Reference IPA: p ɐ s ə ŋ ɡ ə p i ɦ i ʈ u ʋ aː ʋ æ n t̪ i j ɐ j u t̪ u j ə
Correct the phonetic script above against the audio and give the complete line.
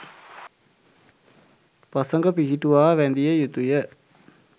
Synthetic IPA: p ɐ s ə ŋ ɡ ə p i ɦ i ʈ u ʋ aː ʋ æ n d̪ i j ə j u t̪ u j ə